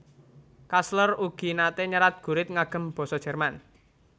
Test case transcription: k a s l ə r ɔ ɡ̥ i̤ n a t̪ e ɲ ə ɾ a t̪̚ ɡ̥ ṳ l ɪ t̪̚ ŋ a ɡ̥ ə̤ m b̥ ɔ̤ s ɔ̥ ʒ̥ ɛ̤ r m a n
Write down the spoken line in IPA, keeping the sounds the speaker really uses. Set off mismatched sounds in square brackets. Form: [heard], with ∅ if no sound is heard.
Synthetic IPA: k a s l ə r [u] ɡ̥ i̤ n a t̪ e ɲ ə ɾ a t̪̚ ɡ̥ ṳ [ɾ] ɪ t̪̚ ŋ a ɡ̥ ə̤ m b̥ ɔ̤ s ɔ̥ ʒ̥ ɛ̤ r m a n